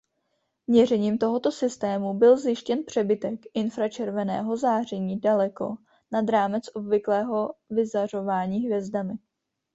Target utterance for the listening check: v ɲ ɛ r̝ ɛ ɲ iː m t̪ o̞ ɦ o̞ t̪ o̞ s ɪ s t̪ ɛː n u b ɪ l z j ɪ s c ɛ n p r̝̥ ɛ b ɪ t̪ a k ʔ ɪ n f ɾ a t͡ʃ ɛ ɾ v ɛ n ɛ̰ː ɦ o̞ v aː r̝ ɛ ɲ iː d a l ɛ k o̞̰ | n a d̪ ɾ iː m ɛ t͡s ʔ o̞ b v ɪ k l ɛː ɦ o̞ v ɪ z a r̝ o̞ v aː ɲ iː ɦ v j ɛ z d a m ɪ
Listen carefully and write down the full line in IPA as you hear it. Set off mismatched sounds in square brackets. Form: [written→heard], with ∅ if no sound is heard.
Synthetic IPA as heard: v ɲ ɛ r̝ ɛ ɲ iː m t̪ o̞ ɦ o̞ t̪ o̞ s ɪ s t̪ ɛː [n→m] u b ɪ l z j ɪ [s→ʃ] c ɛ n p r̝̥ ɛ b ɪ t̪ [a→ɛ] k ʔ ɪ n f ɾ a t͡ʃ ɛ ɾ v ɛ n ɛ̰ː ɦ o̞ [v→z] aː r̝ ɛ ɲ iː d a l ɛ k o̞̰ | n a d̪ ɾ [iː→aː] m ɛ t͡s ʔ o̞ b v ɪ k l ɛː ɦ o̞ v ɪ z a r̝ o̞ v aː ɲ iː ɦ v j ɛ z d a m ɪ